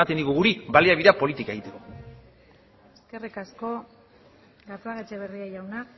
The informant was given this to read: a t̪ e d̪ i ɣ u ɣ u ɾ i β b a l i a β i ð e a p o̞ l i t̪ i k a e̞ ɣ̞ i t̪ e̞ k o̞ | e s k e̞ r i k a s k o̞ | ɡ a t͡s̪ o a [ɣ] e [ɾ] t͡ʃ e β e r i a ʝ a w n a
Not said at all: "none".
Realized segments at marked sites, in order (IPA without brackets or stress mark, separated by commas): ɣ, none